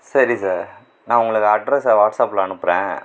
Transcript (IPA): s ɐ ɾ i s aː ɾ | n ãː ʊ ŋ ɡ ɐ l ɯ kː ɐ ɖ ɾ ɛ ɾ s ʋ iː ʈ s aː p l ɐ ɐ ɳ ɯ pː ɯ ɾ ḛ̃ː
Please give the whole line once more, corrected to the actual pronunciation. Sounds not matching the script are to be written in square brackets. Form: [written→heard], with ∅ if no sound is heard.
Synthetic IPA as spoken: s ɐ ɾ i s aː ɾ | n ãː ʊ ŋ ɡ ɐ [l→ɭ] ɯ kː ɐ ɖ ɾ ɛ [ɾ→∅] s ʋ [iː→aː] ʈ s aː p l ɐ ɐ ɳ ɯ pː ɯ ɾ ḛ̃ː